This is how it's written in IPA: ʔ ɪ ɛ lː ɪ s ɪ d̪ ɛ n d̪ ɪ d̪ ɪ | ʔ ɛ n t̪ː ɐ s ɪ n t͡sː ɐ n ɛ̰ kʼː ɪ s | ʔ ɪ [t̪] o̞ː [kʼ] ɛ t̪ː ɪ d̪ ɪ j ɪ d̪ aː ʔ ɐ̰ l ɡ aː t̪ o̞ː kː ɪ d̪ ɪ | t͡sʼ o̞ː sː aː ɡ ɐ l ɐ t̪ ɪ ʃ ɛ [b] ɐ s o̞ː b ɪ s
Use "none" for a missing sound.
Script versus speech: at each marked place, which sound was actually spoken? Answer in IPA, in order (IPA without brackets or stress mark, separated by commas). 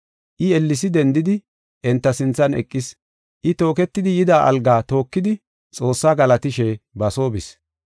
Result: t̪, k, b